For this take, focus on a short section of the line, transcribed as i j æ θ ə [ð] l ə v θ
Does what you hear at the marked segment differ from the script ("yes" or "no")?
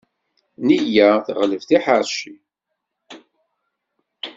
yes